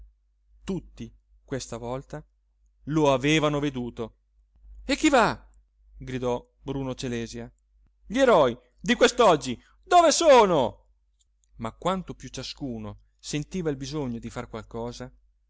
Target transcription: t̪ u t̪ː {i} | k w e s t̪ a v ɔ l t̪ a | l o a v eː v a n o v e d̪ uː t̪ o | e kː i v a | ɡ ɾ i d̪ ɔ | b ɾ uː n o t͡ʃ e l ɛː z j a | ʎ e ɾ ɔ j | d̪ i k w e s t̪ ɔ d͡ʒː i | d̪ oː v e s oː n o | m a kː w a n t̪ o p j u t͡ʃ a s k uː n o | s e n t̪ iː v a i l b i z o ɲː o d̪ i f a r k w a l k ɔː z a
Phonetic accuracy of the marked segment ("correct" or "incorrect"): correct